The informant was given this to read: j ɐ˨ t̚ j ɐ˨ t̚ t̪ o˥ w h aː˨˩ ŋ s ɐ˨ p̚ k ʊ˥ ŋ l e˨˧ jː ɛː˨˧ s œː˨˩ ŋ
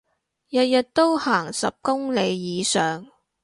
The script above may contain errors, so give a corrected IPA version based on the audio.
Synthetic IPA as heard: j ɐ˨ t̚ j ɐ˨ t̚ t̪ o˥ w h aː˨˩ ŋ s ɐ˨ p̚ k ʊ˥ ŋ l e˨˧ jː iː˨˧ s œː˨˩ ŋ